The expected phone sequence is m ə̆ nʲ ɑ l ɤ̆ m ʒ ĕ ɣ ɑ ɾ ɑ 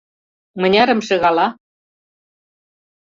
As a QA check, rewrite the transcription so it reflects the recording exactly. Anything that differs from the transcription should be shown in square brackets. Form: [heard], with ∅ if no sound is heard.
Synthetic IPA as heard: m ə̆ nʲ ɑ [ɾ] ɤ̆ m [ʃ] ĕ ɣ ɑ [l] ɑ